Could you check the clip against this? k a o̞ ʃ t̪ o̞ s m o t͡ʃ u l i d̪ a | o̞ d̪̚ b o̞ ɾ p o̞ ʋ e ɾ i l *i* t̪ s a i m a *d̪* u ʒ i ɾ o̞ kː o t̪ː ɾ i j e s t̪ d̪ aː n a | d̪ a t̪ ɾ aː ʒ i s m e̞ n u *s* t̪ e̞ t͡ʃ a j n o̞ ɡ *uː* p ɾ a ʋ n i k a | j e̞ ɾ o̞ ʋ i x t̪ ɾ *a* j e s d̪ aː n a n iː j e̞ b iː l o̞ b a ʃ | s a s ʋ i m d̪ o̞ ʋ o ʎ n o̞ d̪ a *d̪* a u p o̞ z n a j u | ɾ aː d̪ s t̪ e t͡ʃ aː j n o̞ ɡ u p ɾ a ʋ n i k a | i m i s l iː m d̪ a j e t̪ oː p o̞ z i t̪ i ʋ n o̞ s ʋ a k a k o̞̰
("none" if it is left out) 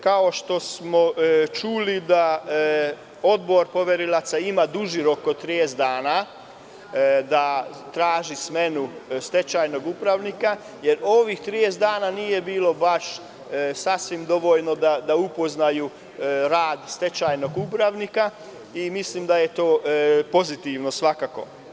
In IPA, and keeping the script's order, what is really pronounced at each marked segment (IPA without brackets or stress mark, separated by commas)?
a, d̪, s, u, i, d̪